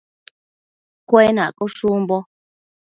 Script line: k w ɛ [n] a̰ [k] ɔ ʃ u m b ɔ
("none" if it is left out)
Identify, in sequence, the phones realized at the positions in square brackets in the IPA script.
n, k

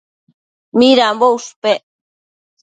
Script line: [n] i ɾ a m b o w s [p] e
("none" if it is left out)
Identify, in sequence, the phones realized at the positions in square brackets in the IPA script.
m, p

